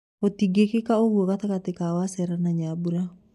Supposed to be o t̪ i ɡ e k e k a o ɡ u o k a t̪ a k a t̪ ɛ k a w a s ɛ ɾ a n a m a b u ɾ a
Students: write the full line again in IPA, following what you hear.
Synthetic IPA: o t̪ i ɡ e k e k a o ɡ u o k a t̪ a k a t̪ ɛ k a w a s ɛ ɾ a n a ɲ a b u ɾ a